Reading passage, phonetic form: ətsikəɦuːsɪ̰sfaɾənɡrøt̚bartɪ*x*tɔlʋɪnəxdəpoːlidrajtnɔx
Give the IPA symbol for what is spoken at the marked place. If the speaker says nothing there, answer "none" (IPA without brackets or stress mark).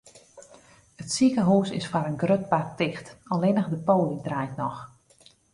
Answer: x